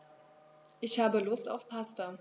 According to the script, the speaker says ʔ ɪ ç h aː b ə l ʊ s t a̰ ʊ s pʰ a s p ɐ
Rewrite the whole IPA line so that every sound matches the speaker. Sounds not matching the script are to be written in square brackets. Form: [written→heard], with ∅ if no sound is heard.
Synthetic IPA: ʔ ɪ ç h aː b ə l ʊ s t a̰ ʊ [s→f] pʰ a s [p→t] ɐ